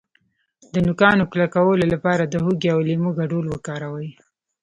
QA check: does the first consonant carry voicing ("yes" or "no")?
yes